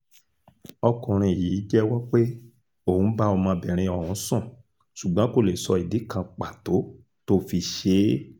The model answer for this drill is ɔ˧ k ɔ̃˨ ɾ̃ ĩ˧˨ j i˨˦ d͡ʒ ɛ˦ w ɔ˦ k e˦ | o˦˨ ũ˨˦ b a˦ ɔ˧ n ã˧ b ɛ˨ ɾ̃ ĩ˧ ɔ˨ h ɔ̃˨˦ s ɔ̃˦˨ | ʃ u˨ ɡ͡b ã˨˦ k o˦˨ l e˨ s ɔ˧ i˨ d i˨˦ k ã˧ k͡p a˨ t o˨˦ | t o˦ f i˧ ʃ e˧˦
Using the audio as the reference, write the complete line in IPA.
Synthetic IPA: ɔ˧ k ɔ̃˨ ɾ̃ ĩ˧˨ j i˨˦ d͡ʒ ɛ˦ w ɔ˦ k͡p e˦ | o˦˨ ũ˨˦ b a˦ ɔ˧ m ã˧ b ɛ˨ ɾ̃ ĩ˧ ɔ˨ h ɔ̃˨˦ s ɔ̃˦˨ | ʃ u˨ ɡ͡b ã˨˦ k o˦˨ l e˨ s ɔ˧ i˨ d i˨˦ k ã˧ k͡p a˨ t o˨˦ | t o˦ f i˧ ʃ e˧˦